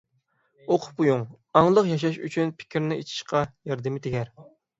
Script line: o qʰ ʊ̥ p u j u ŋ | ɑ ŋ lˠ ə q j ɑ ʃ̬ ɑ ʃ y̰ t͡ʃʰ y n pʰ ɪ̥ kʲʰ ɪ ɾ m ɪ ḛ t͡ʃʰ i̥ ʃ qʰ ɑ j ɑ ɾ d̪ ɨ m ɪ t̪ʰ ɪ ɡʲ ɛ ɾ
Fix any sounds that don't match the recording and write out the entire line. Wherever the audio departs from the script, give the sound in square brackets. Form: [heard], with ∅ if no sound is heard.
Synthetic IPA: o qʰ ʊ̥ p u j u ŋ | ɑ ŋ lˠ ə q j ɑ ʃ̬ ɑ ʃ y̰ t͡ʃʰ y n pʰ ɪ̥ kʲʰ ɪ ɾ [n] ɪ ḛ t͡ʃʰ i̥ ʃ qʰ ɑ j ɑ ɾ d̪ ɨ m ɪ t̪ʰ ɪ ɡʲ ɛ ɾ